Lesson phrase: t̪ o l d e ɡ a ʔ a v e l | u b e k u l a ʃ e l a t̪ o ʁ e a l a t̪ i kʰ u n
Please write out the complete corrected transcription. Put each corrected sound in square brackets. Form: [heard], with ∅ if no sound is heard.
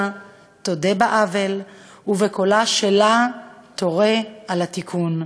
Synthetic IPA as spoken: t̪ o [∅] d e [b] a ʔ a v e l | u [v] e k [o] l a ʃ e l a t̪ o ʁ e a l a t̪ i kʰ u n